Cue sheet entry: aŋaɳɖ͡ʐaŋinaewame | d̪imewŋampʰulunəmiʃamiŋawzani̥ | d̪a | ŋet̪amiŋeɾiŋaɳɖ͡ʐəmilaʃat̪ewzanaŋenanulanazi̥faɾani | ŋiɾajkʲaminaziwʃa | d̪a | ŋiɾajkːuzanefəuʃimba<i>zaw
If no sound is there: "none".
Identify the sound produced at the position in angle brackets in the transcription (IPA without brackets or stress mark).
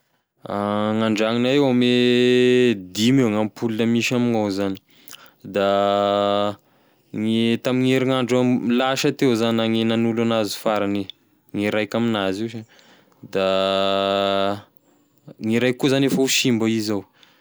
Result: i